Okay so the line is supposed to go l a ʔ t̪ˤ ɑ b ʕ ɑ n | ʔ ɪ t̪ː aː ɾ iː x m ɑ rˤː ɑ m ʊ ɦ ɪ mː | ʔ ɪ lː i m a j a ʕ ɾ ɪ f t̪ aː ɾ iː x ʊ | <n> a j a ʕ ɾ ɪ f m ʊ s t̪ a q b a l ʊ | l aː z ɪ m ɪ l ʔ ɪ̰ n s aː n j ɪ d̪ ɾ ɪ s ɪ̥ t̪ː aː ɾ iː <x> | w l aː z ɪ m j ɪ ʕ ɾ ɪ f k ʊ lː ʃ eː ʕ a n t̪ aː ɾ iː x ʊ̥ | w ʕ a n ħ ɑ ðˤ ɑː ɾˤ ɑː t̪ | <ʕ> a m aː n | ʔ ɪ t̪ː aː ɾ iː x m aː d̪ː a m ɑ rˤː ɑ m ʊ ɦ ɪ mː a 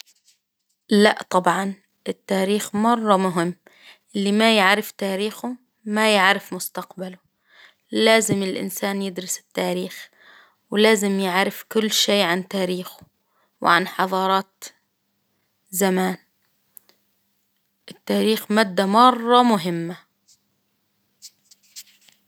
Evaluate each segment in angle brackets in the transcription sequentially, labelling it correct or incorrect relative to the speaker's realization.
incorrect: m, correct, incorrect: z

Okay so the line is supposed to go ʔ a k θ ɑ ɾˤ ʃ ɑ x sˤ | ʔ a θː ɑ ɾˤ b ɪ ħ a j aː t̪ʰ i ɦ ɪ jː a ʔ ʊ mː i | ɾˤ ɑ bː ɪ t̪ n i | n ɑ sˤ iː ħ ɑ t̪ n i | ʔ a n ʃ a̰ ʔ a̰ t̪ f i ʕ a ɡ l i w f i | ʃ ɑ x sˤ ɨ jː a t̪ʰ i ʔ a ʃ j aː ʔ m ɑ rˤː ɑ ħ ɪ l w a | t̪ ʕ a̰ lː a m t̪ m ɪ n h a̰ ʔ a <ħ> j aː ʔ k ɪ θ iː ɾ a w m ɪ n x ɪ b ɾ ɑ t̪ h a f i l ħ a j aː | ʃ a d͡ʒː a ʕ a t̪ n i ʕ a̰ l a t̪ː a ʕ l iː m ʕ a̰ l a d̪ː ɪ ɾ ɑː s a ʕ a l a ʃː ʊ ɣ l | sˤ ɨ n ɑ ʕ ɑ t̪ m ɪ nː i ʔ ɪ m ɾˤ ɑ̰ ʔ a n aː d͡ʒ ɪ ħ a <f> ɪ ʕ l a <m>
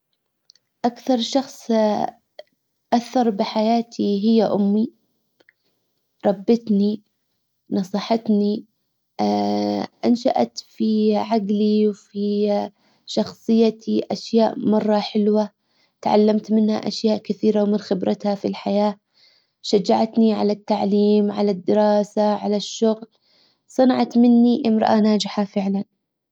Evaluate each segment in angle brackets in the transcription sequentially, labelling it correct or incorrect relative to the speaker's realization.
incorrect: ʃ, correct, incorrect: n

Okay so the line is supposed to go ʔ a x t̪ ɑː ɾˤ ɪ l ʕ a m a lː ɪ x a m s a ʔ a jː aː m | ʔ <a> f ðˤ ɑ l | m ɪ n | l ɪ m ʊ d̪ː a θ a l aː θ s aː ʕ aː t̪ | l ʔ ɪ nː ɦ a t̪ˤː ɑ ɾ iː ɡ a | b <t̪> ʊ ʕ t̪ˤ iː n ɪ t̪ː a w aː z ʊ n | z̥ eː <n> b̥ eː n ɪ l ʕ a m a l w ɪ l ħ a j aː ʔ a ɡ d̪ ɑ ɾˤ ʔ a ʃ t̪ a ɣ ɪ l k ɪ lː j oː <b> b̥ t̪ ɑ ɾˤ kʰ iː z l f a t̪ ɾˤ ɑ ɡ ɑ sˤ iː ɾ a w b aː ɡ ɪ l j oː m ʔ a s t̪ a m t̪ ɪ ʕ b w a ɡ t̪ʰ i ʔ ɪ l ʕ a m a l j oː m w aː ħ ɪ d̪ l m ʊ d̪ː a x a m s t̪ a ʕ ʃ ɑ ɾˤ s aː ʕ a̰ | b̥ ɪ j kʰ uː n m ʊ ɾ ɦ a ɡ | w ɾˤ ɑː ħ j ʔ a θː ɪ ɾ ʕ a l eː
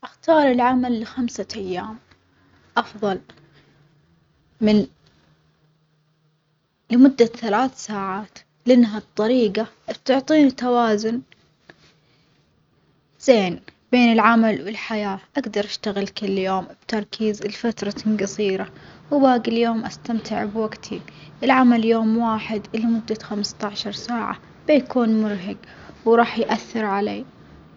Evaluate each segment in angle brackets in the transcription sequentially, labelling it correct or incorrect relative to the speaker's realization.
incorrect: ɑ, correct, correct, incorrect: m

